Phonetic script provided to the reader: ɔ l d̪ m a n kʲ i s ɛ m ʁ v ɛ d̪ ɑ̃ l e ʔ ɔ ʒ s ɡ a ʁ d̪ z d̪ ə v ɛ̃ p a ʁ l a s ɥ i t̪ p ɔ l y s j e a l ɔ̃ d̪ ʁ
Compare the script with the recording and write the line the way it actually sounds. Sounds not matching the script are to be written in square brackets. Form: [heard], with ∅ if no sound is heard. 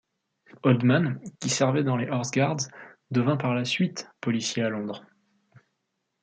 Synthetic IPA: ɔ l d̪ m a n kʲ i s ɛ [∅] ʁ v ɛ d̪ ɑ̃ l e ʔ ɔ [ʁ] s ɡ a ʁ d̪ z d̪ ə v ɛ̃ p a ʁ l a s ɥ i t̪ p ɔ l [i] s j e a l ɔ̃ d̪ ʁ

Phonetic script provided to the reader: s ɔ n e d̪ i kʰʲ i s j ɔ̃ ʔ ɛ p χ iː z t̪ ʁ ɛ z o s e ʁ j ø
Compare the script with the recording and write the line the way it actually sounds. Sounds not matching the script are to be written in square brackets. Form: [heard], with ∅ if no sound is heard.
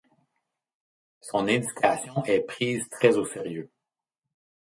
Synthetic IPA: s [ɔ̃] n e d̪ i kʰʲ [a] s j ɔ̃ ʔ ɛ p χ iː z t̪ [χ] ɛ z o s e ʁ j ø

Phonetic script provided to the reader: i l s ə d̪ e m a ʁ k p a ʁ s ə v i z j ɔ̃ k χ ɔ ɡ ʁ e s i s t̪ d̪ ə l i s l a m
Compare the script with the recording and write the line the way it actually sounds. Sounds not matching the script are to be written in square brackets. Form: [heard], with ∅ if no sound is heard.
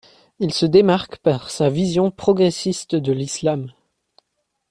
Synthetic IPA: i l s ə d̪ e m a ʁ k p a ʁ s [a] v i z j ɔ̃ [p] χ ɔ ɡ ʁ e s i s t̪ d̪ ə l i s l a m

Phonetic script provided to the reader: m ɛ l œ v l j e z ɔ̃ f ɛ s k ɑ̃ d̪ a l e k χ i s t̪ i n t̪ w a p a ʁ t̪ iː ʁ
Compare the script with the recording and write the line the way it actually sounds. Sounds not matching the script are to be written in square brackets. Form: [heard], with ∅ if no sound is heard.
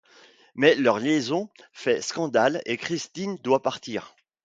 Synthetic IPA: m ɛ l œ [ʁ] l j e z ɔ̃ f ɛ s k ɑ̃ d̪ a l e k χ i s t̪ i n [d̪] w a p a ʁ t̪ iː ʁ

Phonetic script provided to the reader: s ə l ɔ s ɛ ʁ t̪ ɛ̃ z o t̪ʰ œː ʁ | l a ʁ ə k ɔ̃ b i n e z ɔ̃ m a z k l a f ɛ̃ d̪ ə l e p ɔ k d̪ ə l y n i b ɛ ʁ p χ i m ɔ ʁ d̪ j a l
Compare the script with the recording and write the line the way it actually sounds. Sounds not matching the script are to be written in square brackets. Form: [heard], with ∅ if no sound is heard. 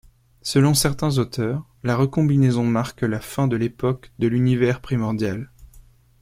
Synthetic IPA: s ə l [ɔ̃] s ɛ ʁ t̪ ɛ̃ z o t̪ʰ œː ʁ | l a ʁ ə k ɔ̃ b i n e z ɔ̃ m a [ʁ] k l a f ɛ̃ d̪ ə l e p ɔ k d̪ ə l y n i [v] ɛ ʁ p χ i m ɔ ʁ d̪ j a l

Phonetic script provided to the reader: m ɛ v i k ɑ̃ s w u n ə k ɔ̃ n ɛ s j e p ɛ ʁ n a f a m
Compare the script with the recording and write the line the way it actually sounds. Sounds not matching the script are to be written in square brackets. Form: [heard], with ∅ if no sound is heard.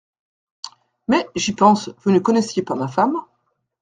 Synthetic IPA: m ɛ [ʒ] i [p] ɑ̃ s [v] u n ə k [ɔ] n ɛ s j e p [a] ʁ [m] a f a m

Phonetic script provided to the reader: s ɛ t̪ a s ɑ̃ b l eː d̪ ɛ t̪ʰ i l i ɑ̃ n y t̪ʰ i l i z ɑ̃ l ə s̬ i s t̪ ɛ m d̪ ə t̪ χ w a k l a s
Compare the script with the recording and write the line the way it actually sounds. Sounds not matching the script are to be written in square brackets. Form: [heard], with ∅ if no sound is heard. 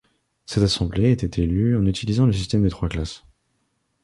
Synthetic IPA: s ɛ t̪ a s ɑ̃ b l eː [t̪] ɛ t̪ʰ [e] l [y] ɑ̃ n y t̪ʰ i l i z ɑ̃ l ə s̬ i s t̪ ɛ m d̪ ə t̪ χ w a k l a s

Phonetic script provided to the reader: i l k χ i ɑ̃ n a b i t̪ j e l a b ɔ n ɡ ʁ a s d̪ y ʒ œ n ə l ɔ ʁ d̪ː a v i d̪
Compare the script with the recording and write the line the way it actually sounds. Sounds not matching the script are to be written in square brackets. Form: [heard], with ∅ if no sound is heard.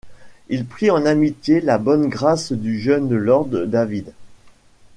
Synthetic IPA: i l [p] χ i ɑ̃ n a [m] i t̪ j e l a b ɔ n ɡ ʁ a s d̪ y ʒ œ n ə l ɔ ʁ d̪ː a v i d̪

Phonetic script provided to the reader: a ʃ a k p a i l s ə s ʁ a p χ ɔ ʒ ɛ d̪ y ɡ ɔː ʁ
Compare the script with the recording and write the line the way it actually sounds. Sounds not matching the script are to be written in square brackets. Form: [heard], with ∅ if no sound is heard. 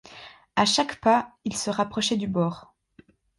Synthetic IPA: a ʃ a k p a i l s ə [∅] ʁ a p χ ɔ [ʃ] ɛ d̪ y [b] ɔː ʁ

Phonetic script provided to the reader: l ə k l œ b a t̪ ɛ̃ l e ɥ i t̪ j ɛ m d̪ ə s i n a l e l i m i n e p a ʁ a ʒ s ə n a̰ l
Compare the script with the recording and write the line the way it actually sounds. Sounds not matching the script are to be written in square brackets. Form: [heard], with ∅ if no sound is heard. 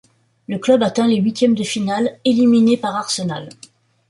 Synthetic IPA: l ə k l œ b a t̪ ɛ̃ l e ɥ i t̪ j ɛ m d̪ ə [f] i n a l e l i m i n e p a ʁ a [ʁ] s ə n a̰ l

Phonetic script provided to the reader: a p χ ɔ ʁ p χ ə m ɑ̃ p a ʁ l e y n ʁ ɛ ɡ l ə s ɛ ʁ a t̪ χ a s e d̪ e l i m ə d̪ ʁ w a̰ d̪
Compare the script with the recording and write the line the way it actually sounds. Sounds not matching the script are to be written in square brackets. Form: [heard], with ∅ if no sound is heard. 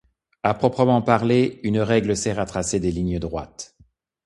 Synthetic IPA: a p χ ɔ [∅] p χ ə m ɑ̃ p a ʁ l e y n ʁ ɛ ɡ l ə s ɛ ʁ a t̪ χ a s e d̪ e l i [ɲ] ə d̪ ʁ w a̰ [t̪]

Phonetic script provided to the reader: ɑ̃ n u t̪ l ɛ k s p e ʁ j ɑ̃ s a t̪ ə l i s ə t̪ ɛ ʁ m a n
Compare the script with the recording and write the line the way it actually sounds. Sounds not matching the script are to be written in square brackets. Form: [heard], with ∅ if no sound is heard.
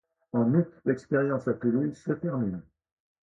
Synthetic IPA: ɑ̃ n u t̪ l ɛ k s p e ʁ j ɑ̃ s a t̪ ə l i s ə t̪ ɛ ʁ m [i] n

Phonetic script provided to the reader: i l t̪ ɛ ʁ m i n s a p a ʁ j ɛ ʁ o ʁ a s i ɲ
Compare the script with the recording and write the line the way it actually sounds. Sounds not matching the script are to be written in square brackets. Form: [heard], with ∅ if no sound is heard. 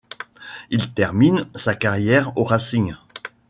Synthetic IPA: i l t̪ ɛ ʁ m i n s a [k] a ʁ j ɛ ʁ o ʁ a s i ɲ

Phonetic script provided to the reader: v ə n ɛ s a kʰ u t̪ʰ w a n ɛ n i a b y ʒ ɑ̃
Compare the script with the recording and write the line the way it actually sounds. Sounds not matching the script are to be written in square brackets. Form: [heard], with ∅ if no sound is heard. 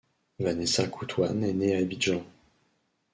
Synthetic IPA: v [a] n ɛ s a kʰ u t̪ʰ w a n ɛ n [e] a b [i] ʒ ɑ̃

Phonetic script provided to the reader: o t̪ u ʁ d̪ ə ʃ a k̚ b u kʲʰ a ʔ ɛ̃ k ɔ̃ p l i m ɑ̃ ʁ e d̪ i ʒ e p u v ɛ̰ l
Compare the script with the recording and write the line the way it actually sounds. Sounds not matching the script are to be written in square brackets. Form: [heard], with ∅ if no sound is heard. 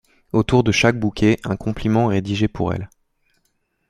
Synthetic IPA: o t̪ u ʁ d̪ ə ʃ a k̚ b u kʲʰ [e] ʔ ɛ̃ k ɔ̃ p l i m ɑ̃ ʁ e d̪ i ʒ e p u [ʁ] ɛ̰ l

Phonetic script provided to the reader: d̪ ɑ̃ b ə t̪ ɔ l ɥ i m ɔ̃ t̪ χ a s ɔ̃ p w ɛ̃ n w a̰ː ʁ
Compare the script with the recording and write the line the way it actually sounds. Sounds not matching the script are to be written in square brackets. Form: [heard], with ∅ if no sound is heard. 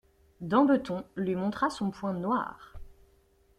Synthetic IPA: d̪ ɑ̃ b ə t̪ [ɔ̃] l ɥ i m ɔ̃ t̪ χ a s ɔ̃ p w ɛ̃ n w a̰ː ʁ

